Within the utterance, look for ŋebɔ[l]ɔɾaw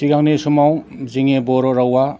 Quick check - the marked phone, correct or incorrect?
incorrect